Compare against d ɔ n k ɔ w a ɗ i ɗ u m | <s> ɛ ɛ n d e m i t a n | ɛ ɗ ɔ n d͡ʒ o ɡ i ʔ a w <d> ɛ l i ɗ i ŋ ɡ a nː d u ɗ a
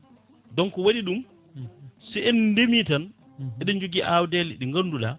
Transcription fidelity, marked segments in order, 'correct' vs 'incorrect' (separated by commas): correct, correct